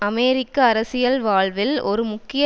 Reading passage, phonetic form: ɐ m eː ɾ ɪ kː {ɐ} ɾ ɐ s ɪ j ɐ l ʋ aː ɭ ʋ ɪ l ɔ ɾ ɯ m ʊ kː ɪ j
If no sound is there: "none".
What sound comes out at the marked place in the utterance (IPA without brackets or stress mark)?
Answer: ɐː